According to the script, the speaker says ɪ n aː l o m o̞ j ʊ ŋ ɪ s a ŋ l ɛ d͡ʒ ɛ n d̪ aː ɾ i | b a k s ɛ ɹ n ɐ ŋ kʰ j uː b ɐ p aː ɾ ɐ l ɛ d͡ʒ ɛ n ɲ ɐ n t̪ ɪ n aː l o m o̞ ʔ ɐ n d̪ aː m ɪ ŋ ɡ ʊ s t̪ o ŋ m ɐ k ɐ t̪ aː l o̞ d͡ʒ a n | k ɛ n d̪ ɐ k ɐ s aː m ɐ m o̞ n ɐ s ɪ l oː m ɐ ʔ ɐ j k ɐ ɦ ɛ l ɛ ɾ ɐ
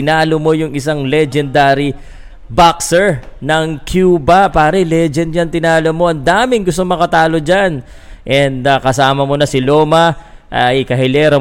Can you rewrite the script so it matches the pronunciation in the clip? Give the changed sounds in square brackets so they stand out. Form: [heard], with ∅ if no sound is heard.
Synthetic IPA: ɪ n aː l o m o̞ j ʊ ŋ ɪ s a ŋ l ɛ d͡ʒ ɛ n d̪ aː ɾ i | b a k s ɛ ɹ n ɐ ŋ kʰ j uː b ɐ p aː ɾ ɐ l ɛ d͡ʒ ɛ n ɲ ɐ n t̪ ɪ n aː l o m o̞ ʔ ɐ n d̪ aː m ɪ ŋ ɡ ʊ s t̪ o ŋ m ɐ k ɐ t̪ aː l o̞ d͡ʒ a n | [ʔ] ɛ n d̪ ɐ k ɐ s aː m ɐ m o̞ n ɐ s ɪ l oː m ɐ ʔ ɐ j k ɐ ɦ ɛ l ɛ ɾ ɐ